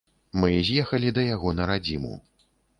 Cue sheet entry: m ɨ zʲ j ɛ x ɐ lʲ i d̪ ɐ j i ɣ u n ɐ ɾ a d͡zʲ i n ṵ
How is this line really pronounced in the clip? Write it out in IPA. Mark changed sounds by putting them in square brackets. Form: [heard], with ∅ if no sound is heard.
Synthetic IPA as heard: m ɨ zʲ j ɛ x ɐ lʲ i d̪ ɐ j [a] ɣ [ɔ] n ɐ ɾ a d͡zʲ i [m] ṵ

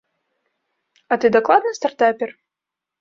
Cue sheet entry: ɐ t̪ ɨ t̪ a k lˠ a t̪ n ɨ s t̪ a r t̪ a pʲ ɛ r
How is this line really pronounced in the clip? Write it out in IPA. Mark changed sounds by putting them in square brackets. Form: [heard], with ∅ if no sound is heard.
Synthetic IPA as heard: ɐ t̪ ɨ [d̪] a k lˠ a [d̪] n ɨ s t̪ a r t̪ a pʲ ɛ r

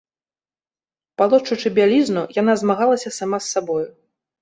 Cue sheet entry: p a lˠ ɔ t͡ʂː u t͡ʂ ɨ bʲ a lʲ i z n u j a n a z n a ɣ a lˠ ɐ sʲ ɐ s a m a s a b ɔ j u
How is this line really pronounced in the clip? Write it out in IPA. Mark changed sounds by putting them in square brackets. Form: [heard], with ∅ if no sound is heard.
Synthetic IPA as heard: p a lˠ ɔ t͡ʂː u t͡ʂ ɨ bʲ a lʲ i z n u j a n a z [m] a ɣ a lˠ ɐ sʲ ɐ s a m a [sː] a b ɔ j u

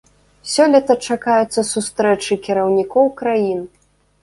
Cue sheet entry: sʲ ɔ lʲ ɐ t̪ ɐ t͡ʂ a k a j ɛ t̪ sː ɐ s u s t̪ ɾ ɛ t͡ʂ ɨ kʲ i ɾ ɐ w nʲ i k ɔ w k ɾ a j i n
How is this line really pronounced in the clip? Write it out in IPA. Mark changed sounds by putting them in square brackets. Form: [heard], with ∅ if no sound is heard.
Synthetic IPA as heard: sʲ ɔ lʲ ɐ t̪ ɐ t͡ʂ a k a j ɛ t̪ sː ɐ s u s t̪ ɾ ɛ t͡ʂ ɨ kʲ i ɾ ɐ w nʲ i k ɔ w k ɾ a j i n

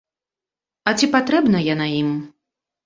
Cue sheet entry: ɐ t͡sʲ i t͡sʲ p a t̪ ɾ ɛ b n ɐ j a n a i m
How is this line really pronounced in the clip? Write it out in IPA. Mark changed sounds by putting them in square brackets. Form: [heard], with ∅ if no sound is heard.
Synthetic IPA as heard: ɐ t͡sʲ i [∅] p a t̪ ɾ ɛ b n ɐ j a n a i m

